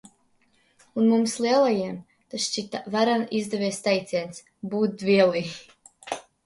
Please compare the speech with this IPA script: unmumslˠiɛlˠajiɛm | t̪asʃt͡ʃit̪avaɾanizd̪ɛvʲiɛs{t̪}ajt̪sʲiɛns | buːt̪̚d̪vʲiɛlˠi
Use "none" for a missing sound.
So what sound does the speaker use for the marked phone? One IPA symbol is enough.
t̪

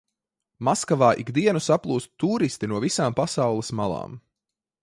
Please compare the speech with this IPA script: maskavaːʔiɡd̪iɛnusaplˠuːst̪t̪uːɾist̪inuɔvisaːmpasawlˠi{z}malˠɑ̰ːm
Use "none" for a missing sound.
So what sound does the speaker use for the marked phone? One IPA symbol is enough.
s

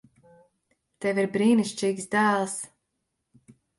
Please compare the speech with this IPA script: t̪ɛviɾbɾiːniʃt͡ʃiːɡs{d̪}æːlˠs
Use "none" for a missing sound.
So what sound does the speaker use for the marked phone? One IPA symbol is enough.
d̪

